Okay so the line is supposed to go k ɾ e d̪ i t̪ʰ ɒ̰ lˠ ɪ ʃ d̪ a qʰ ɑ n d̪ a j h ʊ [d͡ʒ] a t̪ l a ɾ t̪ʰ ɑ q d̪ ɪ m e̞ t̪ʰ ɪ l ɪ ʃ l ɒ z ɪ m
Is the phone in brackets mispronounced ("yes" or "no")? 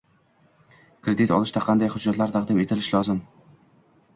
yes